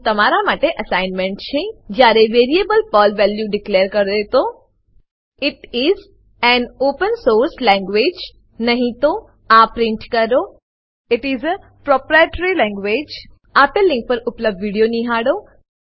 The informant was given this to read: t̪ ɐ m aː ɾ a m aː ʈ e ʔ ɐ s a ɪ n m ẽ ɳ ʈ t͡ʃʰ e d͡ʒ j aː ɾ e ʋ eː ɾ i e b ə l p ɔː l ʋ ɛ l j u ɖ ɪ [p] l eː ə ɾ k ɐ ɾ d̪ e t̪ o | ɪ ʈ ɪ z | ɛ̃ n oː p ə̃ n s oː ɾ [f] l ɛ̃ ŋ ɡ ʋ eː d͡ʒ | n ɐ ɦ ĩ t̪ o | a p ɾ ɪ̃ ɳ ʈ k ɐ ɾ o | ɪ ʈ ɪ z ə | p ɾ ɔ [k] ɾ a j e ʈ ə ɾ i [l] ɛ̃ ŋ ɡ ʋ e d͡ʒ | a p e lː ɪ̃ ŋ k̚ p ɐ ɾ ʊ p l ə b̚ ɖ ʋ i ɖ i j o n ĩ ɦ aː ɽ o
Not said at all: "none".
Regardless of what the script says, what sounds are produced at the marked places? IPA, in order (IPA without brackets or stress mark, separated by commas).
k, s, p, l